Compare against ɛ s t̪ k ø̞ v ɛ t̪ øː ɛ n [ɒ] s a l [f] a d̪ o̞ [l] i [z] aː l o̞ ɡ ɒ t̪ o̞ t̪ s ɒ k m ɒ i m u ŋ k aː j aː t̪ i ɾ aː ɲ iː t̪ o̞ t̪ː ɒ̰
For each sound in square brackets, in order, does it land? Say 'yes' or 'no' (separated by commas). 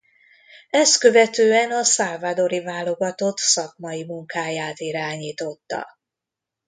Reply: yes, no, no, no